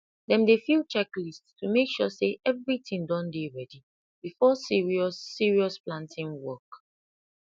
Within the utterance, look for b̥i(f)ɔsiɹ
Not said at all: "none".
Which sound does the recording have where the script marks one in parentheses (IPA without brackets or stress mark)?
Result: f